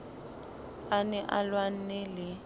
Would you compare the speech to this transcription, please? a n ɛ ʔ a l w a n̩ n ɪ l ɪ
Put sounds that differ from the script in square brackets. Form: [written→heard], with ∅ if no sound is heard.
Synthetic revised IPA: a n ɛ ʔ a l w a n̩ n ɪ l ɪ